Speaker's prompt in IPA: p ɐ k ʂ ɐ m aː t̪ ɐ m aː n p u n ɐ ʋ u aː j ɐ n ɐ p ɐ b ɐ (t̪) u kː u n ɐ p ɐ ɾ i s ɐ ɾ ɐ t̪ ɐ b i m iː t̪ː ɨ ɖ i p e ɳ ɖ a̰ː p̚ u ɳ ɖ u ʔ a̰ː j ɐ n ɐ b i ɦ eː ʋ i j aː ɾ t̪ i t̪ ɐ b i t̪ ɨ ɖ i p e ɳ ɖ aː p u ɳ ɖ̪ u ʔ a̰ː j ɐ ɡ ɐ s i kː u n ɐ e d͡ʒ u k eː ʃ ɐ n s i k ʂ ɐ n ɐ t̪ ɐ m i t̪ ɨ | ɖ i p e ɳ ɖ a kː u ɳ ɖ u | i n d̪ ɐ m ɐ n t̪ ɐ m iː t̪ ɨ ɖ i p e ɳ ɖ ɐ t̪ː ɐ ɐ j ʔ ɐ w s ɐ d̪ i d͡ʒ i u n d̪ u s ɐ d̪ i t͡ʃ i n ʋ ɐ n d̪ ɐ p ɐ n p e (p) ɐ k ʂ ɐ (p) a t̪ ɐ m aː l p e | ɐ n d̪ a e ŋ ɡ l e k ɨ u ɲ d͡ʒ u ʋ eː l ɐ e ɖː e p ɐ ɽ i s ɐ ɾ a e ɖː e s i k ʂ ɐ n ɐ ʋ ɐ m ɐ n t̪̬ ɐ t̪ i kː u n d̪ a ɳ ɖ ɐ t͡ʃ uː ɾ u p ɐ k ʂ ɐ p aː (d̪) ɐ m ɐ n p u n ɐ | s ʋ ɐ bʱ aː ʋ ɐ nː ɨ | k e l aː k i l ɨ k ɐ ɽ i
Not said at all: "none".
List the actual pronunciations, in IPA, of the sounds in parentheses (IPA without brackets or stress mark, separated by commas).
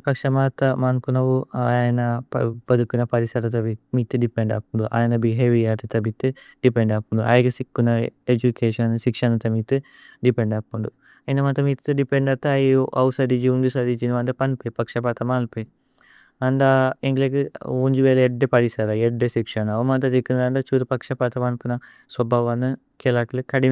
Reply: d̪, p, p, t̪